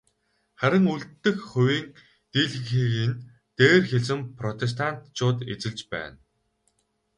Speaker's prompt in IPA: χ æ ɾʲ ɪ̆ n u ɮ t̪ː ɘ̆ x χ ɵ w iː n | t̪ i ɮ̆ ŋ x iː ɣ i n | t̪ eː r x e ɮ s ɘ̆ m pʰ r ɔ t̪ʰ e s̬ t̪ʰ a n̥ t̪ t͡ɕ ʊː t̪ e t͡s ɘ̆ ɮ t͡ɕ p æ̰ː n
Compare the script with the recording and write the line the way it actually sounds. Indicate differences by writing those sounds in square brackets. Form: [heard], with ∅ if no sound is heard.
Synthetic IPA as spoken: χ æ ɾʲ ɪ̆ [ŋ] u ɮ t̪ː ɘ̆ x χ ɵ w iː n | t̪ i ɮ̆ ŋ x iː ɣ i n | t̪ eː r x e ɮ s ɘ̆ m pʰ r ɔ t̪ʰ e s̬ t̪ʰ a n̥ t̪ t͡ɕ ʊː t̪ e t͡s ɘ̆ ɮ t͡ɕ p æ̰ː n

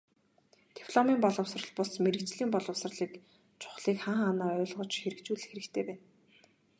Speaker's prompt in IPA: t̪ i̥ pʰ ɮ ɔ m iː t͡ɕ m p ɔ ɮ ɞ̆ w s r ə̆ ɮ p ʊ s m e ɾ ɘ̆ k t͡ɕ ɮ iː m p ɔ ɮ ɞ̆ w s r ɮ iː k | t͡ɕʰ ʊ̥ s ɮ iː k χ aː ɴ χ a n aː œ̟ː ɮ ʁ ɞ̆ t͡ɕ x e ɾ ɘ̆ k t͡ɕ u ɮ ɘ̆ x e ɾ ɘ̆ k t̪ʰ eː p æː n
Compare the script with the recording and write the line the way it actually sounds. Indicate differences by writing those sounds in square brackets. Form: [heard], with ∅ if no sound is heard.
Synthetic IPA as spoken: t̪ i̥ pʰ ɮ ɔ m iː [∅] m p ɔ ɮ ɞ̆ w s r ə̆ ɮ p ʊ s m e ɾ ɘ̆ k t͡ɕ ɮ iː m p ɔ ɮ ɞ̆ w s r ɮ iː k | t͡ɕʰ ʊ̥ [χ] ɮ iː k χ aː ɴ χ a n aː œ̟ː ɮ ʁ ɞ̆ t͡ɕ x e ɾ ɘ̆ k t͡ɕ [uː] ɮ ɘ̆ x e ɾ ɘ̆ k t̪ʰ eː p æː n

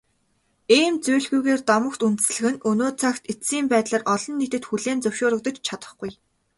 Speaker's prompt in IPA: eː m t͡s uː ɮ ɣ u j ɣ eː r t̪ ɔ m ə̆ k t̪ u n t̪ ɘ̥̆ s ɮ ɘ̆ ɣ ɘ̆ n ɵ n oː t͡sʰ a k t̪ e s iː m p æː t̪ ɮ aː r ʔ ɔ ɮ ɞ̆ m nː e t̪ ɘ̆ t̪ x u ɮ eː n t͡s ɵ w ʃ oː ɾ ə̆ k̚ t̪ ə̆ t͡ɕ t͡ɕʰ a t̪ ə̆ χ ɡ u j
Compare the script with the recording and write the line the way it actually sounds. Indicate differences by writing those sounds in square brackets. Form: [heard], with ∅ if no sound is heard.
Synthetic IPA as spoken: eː m t͡s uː ɮ ɣ u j ɣ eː r t̪ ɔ m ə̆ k t̪ u n t̪ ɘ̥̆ s ɮ ɘ̆ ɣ ɘ̆ n ɵ n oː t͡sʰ a k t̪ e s iː m p æː t̪ ɮ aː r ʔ ɔ ɮ ɞ̆ [∅] nː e t̪ ɘ̆ t̪ x u ɮ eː n t͡s ɵ w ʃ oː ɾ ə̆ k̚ t̪ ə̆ t͡ɕ t͡ɕʰ a t̪ ə̆ χ ɡ u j

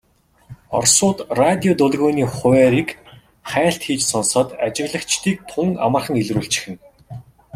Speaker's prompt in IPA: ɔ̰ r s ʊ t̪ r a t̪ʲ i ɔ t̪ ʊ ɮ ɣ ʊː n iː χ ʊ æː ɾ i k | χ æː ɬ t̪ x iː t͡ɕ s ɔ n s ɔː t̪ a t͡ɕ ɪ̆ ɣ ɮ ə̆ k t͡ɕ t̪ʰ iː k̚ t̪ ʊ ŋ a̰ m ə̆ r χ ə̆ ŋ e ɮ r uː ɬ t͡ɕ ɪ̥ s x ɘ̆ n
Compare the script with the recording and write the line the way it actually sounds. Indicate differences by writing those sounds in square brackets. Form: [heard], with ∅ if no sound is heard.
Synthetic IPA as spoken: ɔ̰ r s [ʊː] t̪ r a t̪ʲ i ɔ t̪ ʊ ɮ ɣ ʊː n iː χ ʊ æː ɾ i k | χ æː ɬ t̪ x iː t͡ɕ s ɔ n s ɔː t̪ a t͡ɕ ɪ̆ ɣ ɮ ə̆ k t͡ɕ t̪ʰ iː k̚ [t̪ʰ] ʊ ŋ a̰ m ə̆ r χ ə̆ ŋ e ɮ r uː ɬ t͡ɕ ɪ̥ [∅] x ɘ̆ n

